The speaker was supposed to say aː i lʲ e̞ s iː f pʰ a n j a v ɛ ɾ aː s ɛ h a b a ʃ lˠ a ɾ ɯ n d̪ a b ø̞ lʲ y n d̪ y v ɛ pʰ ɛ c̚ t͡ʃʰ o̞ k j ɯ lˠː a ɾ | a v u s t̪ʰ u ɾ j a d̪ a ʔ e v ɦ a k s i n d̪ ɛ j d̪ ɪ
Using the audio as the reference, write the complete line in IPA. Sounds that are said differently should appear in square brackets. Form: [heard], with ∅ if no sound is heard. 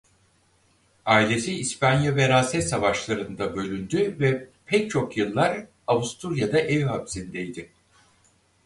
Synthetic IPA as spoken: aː i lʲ e̞ s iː [s] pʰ a n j a v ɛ ɾ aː s ɛ [s] a [v] a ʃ lˠ a ɾ ɯ n d̪ a b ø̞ lʲ y n d̪ y v ɛ pʰ ɛ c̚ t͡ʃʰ o̞ k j ɯ lˠː a ɾ | a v u s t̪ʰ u ɾ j a d̪ a ʔ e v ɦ a [p] s i n d̪ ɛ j d̪ ɪ

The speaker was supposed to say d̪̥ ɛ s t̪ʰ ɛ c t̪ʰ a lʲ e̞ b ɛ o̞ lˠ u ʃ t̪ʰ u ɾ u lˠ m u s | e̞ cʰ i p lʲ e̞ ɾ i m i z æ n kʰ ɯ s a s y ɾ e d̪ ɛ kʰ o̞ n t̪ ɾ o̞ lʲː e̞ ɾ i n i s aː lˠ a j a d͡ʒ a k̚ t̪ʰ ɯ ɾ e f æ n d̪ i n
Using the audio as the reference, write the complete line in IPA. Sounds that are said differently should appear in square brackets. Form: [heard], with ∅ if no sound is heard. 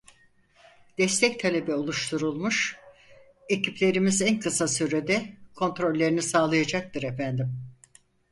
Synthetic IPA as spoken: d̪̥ ɛ s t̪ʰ ɛ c t̪ʰ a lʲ e̞ b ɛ o̞ lˠ u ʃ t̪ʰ u ɾ u lˠ m u [ʃ] | e̞ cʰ i p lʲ e̞ ɾ i m i z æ n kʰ ɯ s a s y ɾ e d̪ ɛ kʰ o̞ n t̪ ɾ o̞ lʲː e̞ ɾ i n i s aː lˠ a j a d͡ʒ a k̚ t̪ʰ ɯ ɾ e f æ n d̪ i [m]

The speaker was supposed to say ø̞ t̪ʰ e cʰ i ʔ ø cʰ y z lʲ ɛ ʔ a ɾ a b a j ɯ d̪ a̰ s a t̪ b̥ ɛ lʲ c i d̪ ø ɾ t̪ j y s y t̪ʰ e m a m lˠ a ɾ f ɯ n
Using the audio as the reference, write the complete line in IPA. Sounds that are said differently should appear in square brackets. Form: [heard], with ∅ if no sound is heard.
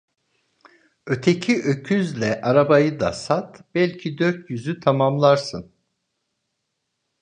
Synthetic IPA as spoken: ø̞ t̪ʰ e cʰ i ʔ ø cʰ y z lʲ ɛ ʔ a ɾ a b a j ɯ d̪ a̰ s a t̪ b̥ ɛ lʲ [cʰ] i d̪ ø ɾ t̪ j y [z] y t̪ʰ [a] m a m lˠ a ɾ [s] ɯ n

